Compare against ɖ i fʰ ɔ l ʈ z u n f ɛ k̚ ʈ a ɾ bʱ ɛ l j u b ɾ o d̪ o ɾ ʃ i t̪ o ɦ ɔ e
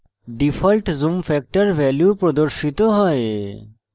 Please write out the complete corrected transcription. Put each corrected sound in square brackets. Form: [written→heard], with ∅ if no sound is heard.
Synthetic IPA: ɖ i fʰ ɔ l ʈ z u [n→m] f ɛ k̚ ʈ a ɾ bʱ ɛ l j u [b→p] ɾ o d̪ o ɾ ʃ i t̪ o ɦ ɔ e